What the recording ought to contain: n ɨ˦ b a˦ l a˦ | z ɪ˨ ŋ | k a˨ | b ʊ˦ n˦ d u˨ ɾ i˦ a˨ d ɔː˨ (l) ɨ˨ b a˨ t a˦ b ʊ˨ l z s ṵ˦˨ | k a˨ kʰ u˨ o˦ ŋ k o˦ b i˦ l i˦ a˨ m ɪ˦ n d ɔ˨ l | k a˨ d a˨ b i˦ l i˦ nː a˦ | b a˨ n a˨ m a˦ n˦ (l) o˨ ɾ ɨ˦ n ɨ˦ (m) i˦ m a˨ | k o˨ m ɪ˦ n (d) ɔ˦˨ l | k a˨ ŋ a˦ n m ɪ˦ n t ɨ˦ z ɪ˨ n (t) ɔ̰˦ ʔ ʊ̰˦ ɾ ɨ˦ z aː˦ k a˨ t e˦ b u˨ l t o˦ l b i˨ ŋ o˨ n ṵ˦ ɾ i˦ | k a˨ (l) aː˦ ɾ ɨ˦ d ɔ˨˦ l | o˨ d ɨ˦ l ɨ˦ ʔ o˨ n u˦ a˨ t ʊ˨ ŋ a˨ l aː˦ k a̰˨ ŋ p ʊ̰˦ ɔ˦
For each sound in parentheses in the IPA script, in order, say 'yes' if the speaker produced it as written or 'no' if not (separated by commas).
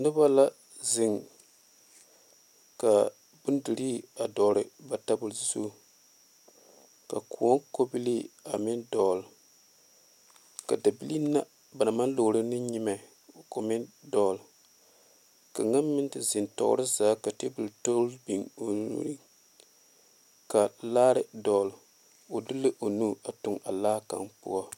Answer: no, yes, no, yes, yes, yes